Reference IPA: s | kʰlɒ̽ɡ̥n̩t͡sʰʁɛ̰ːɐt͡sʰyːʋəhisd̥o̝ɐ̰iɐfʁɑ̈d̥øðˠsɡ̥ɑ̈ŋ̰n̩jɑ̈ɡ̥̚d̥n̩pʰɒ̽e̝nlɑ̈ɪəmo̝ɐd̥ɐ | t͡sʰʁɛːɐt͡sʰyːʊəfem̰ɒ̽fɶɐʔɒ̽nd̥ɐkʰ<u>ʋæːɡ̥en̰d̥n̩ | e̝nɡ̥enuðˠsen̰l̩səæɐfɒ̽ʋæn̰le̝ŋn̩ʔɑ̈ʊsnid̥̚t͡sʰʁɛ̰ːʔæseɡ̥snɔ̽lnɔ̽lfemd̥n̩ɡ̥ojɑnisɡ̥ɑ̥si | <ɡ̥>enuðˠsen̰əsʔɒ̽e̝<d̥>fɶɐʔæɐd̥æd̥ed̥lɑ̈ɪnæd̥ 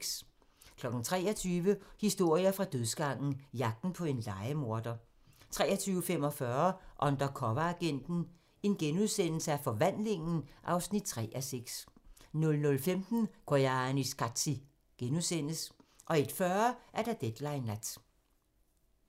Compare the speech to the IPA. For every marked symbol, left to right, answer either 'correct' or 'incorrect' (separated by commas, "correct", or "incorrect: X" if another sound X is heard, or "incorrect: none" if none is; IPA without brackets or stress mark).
incorrect: ɒ, correct, correct